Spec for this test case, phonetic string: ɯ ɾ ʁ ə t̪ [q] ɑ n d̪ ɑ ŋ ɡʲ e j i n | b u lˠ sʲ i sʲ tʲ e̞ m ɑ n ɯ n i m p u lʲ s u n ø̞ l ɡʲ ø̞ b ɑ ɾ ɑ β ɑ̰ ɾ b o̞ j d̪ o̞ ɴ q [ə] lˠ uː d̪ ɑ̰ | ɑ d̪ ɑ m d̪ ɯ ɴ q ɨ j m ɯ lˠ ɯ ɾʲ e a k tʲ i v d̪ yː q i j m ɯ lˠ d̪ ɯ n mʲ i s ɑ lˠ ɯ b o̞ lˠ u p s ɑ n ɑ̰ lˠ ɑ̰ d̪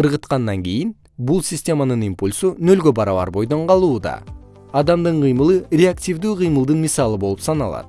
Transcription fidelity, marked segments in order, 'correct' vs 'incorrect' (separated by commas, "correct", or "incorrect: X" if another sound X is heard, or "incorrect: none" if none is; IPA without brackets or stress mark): correct, incorrect: ɑ